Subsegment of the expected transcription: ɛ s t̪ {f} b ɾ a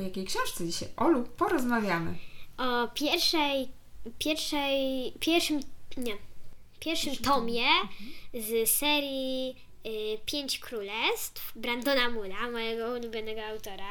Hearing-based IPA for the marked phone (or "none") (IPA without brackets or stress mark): f